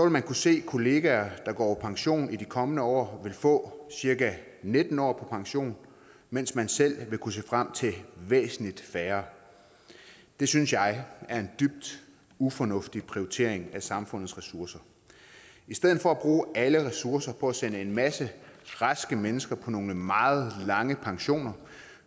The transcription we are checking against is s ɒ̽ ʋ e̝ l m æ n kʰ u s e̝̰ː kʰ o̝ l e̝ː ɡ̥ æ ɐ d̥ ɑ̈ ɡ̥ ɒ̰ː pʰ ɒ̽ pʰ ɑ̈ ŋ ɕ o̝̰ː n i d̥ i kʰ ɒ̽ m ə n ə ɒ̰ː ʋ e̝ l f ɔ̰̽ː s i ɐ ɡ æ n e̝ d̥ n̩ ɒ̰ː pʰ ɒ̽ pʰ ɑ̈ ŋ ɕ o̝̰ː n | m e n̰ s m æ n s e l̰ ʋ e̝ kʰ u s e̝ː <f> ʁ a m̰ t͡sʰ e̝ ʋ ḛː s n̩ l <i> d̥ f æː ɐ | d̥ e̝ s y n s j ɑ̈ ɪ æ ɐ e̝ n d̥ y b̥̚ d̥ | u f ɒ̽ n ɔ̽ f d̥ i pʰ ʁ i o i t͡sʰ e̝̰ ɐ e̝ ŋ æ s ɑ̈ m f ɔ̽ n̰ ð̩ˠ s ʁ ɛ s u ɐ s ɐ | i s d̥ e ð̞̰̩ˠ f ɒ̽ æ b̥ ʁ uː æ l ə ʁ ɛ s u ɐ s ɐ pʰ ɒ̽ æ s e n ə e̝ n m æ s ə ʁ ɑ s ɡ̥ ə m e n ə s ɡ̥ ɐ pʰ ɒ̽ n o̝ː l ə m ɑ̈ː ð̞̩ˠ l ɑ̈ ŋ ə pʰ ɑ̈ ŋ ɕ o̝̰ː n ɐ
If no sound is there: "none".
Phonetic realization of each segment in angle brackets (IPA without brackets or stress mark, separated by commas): f, i